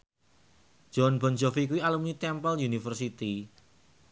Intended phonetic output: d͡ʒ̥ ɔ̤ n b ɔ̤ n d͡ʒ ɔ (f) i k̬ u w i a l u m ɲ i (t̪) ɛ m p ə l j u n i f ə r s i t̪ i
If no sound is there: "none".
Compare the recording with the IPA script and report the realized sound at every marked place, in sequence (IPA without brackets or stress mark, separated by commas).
f, t̪